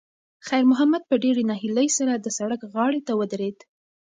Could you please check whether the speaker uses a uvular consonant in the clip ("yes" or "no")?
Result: no